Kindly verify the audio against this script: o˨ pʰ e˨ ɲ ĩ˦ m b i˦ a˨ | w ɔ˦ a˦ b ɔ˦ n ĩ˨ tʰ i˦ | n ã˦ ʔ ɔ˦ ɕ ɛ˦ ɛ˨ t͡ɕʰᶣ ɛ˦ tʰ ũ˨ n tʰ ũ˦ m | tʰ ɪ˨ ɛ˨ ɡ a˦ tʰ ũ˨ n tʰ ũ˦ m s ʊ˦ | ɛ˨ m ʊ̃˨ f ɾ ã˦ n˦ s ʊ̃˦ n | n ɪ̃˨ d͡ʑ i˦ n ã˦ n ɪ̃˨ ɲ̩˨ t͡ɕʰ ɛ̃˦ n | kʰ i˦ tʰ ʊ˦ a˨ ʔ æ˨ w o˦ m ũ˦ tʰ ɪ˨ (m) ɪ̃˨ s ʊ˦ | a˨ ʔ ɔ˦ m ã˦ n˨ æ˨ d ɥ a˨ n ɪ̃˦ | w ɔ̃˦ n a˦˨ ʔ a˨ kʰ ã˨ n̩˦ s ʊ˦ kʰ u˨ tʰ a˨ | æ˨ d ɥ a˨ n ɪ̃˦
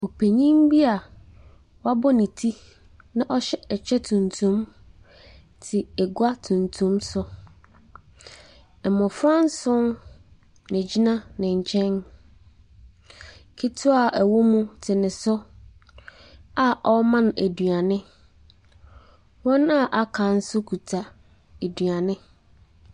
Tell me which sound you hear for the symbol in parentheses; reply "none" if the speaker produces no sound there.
n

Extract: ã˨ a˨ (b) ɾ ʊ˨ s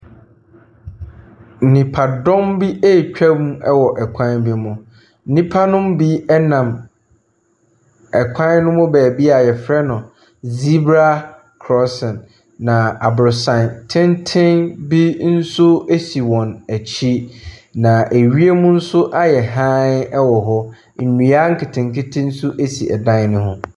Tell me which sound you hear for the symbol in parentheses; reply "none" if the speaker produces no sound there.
b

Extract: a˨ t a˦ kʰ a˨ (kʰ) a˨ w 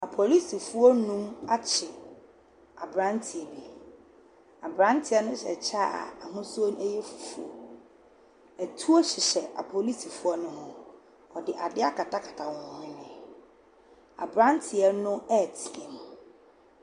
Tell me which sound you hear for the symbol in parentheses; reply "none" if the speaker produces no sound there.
tʰ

